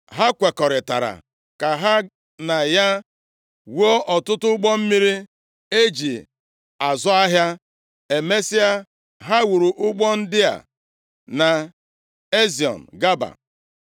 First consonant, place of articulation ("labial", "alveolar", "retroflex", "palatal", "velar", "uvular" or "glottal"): glottal